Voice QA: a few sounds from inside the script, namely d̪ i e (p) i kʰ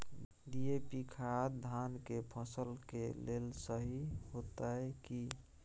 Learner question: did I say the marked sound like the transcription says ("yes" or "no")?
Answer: yes